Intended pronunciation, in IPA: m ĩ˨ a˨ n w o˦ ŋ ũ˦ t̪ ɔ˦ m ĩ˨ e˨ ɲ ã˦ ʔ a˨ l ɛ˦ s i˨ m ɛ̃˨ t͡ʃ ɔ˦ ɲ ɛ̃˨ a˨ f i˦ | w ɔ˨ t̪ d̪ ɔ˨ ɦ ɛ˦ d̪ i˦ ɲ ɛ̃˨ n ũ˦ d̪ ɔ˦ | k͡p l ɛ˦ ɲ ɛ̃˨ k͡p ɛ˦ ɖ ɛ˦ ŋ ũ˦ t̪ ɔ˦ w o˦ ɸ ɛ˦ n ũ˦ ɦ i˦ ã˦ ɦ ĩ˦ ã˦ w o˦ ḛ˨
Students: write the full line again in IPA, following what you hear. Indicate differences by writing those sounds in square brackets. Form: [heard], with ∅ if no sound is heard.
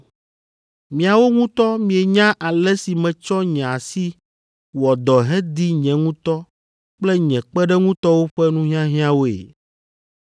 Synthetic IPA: m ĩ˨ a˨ [∅] w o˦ ŋ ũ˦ t̪ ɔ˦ m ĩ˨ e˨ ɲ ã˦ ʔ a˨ l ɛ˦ s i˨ m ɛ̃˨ t͡ʃ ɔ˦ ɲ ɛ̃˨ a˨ [s] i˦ | w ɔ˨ [∅] d̪ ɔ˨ ɦ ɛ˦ d̪ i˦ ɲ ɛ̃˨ [ŋ] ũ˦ [t̪] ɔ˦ | k͡p l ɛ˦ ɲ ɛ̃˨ k͡p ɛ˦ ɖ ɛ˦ ŋ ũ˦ t̪ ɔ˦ w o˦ ɸ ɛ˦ n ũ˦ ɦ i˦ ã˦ ɦ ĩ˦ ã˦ w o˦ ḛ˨

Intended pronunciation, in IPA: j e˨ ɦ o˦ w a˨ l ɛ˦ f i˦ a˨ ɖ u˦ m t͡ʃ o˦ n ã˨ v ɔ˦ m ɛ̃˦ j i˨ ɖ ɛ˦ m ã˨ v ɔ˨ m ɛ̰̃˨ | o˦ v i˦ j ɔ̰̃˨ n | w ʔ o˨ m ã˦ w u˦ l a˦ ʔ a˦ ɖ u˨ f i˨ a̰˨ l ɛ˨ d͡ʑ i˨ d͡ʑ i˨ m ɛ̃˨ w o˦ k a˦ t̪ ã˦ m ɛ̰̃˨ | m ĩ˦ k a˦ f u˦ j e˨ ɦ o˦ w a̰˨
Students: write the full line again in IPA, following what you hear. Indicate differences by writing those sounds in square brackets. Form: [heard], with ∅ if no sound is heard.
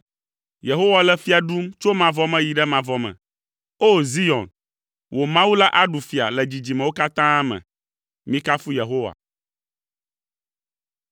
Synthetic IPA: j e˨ ɦ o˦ w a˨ l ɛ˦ f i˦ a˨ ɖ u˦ m t͡ʃ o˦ [m] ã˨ v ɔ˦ m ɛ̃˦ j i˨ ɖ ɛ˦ m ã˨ v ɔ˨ m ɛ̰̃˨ | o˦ [z] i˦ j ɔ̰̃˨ n | w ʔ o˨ m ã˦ w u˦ l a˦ ʔ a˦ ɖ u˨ f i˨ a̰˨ l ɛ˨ d͡ʑ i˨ d͡ʑ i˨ m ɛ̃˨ w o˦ k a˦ t̪ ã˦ m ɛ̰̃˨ | m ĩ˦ k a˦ f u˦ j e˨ ɦ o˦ w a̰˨

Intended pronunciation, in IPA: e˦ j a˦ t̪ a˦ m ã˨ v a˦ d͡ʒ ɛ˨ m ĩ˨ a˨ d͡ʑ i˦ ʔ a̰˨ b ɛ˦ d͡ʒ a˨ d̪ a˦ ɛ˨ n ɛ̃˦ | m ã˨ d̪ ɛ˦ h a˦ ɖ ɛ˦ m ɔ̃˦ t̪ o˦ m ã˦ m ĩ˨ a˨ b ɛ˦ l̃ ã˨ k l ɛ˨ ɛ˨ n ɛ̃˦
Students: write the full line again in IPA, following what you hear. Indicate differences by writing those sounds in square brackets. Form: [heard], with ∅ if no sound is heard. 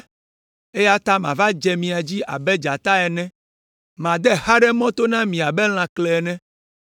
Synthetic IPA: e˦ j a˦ t̪ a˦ m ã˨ v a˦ d͡ʒ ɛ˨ m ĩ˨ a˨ d͡ʑ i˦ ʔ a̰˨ b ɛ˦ d͡ʒ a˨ [t̪] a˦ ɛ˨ n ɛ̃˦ | m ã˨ d̪ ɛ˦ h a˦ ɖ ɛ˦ m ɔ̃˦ t̪ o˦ [n] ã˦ m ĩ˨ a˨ b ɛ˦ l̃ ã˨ k l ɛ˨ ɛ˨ n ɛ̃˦

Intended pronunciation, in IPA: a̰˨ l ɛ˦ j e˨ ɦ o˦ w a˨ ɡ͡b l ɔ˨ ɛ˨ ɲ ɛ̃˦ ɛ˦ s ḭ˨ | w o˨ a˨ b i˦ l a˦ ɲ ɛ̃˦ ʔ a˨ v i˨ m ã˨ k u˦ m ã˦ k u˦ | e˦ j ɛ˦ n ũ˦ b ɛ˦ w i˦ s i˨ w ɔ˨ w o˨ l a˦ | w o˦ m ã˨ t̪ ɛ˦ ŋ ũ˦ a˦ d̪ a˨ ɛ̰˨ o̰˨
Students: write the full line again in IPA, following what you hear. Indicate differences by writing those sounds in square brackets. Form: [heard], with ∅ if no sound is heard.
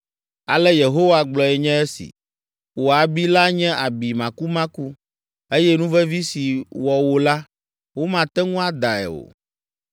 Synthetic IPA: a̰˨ l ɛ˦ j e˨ ɦ o˦ w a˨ ɡ͡b l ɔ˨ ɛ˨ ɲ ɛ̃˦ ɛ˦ s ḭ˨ | w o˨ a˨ b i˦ l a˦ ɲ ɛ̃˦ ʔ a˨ [b] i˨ m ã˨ k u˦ m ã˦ k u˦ | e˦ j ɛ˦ n ũ˦ [v] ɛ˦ [v] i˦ s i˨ w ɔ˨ w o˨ l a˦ | w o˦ m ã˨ t̪ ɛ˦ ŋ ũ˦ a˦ d̪ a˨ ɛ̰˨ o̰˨

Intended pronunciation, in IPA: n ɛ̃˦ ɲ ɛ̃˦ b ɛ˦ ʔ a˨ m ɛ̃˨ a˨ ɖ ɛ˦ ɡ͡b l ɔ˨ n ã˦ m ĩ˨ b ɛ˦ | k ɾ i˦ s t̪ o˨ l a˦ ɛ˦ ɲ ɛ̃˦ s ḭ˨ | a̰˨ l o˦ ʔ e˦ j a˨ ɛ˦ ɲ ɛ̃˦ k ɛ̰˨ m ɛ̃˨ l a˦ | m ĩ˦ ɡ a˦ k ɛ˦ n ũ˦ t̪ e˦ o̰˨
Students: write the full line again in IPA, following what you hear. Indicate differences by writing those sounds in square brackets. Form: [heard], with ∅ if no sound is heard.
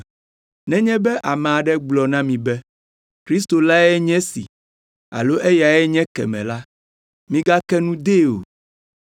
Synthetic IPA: n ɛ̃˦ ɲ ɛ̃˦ b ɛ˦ ʔ a˨ m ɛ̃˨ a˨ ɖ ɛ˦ ɡ͡b l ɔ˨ n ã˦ m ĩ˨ b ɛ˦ | k ɾ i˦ s t̪ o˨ l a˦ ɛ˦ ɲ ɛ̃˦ s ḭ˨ | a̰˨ l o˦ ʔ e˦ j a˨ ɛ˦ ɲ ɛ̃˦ k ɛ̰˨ m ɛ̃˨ l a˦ | m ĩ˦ ɡ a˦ k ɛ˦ n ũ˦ [d̪] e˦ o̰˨

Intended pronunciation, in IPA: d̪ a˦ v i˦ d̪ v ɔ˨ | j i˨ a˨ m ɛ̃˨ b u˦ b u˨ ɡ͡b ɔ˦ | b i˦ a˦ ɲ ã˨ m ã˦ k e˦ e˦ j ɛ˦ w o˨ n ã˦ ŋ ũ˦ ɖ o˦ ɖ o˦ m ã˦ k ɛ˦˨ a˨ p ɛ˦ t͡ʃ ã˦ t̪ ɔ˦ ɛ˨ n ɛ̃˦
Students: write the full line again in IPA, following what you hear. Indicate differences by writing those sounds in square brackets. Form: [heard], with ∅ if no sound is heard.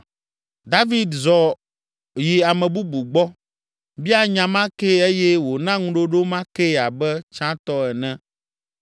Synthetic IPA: d̪ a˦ v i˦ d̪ [z] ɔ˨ | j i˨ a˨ m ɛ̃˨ b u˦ b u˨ ɡ͡b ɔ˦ | b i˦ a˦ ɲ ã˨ m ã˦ k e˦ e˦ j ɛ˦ w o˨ n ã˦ ŋ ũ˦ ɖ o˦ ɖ o˦ m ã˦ k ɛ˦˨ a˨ [b] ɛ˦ t͡ʃ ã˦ t̪ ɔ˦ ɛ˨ n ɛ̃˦

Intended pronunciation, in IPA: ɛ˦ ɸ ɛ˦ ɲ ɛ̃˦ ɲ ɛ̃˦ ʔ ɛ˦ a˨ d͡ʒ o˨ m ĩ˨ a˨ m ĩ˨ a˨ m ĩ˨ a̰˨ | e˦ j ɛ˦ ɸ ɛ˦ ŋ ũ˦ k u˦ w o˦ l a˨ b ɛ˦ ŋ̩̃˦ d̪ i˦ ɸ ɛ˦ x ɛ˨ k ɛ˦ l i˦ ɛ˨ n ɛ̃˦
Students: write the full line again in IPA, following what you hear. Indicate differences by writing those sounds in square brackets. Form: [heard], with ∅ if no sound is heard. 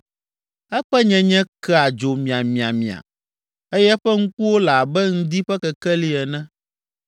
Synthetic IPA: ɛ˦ ɸ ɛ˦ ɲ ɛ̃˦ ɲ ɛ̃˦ [k] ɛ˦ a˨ d͡ʒ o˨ m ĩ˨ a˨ m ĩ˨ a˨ m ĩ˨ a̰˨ | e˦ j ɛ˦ ɸ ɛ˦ ŋ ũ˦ k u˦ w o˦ l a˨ b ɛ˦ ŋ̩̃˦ d̪ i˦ ɸ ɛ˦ [k] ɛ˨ k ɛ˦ l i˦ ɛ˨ n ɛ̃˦

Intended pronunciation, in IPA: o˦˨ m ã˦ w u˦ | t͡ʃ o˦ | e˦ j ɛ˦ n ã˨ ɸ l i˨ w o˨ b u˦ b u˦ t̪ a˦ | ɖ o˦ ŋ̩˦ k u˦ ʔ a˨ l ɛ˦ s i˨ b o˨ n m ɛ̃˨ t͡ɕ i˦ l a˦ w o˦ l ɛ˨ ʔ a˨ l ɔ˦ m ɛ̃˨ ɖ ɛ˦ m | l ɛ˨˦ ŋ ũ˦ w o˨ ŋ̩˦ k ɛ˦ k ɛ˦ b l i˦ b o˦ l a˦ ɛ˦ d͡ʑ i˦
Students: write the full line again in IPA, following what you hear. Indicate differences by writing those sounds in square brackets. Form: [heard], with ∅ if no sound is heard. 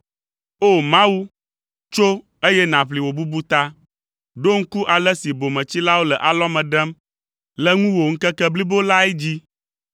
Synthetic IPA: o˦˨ m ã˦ w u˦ | t͡ʃ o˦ | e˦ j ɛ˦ n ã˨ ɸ l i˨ w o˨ b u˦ b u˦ t̪ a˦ | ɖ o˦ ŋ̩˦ k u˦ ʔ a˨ l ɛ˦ s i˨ b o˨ [∅] m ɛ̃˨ t͡ɕ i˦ l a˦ w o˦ l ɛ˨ ʔ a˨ l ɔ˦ m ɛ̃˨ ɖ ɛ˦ m | l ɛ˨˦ ŋ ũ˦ w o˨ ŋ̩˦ k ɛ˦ k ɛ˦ b l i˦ b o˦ l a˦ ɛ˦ d͡ʑ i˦

